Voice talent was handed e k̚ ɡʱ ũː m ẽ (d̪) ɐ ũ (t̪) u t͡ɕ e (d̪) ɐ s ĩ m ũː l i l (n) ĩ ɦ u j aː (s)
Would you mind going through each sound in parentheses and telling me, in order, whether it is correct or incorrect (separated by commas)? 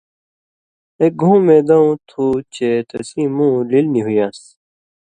correct, incorrect, incorrect, correct, correct